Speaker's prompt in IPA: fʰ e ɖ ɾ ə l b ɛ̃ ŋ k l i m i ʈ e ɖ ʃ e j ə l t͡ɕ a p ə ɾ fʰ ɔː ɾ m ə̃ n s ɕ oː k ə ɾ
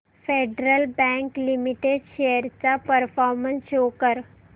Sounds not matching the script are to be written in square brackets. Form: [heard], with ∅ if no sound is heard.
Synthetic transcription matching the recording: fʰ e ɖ ɾ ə l b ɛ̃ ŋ k l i m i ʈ e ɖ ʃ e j ə [ɾ] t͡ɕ a p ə ɾ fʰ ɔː ɾ m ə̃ n s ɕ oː k ə ɾ